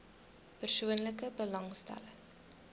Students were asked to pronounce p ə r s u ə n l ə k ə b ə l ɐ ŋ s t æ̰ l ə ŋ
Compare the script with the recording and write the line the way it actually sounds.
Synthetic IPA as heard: p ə r s u ə n l ə k ə b ə l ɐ ŋ s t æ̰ l ə ŋ